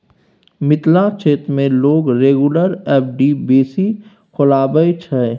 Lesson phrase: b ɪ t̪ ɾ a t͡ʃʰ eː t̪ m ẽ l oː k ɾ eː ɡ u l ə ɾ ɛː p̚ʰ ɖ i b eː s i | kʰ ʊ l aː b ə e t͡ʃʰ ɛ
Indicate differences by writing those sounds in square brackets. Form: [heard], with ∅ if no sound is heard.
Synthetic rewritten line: [m] ɪ t̪ [l] a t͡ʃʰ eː t̪ m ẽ l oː [ɡ] ɾ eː ɡ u l ə ɾ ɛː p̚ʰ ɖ i b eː s i | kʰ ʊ l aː b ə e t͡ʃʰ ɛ